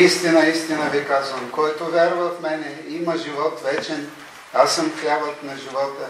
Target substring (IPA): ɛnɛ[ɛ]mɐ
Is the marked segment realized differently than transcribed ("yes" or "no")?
yes